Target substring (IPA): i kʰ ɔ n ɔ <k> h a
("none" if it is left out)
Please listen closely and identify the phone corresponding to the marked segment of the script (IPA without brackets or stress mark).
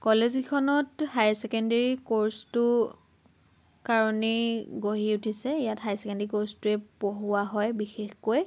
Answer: t